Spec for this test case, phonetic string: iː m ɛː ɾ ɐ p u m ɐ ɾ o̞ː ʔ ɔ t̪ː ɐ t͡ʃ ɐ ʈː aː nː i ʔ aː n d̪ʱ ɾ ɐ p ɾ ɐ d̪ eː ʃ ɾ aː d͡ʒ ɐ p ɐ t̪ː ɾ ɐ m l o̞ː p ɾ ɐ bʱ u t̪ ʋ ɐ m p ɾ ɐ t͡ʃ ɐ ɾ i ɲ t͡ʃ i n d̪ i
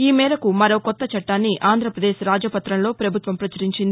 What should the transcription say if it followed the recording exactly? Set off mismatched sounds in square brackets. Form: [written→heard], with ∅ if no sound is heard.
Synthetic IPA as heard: iː m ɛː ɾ ɐ [p→k] u m ɐ ɾ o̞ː [ʔ→k] ɔ t̪ː ɐ t͡ʃ ɐ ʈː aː nː i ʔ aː n d̪ʱ ɾ ɐ p ɾ ɐ d̪ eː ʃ ɾ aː d͡ʒ ɐ p ɐ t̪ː ɾ ɐ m l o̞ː p ɾ ɐ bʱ u t̪ ʋ ɐ m p ɾ ɐ t͡ʃ ɐ ɾ i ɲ t͡ʃ i n d̪ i